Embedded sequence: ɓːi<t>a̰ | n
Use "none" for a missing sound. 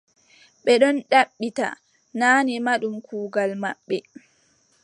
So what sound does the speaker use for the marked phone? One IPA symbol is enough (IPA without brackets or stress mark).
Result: t